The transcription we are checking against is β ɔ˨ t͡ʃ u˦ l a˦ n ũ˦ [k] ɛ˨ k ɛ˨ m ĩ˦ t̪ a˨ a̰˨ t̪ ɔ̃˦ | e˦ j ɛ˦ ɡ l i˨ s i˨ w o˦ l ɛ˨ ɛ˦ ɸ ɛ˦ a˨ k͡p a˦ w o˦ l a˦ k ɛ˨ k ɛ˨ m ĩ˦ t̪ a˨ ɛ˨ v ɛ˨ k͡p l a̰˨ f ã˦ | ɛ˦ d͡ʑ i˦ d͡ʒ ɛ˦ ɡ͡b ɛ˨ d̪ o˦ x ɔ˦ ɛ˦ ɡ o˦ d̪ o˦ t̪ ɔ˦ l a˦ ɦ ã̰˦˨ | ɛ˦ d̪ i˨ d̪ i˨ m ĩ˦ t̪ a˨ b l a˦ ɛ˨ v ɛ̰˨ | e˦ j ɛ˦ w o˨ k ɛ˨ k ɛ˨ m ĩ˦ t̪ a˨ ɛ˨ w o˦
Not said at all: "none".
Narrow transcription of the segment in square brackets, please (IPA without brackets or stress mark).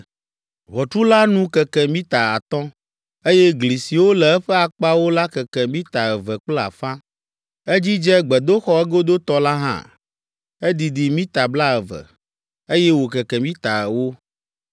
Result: k